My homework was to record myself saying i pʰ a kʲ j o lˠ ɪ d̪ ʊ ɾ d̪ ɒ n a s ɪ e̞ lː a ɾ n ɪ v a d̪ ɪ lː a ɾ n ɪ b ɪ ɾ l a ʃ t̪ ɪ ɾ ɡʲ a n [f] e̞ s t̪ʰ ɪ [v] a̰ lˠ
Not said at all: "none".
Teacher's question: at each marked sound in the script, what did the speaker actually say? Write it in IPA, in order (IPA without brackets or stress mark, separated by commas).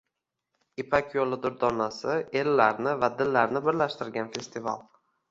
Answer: f, v